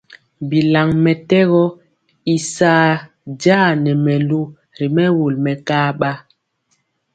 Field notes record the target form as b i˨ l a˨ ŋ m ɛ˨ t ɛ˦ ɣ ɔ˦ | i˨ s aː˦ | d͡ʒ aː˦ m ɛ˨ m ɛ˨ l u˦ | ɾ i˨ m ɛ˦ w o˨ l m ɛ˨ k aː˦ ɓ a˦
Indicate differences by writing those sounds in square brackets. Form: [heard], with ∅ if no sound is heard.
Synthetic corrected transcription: b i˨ l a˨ ŋ m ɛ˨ t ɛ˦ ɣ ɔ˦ | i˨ s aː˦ | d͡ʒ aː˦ [n] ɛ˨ m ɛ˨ l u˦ | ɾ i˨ m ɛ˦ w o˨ l m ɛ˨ k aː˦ ɓ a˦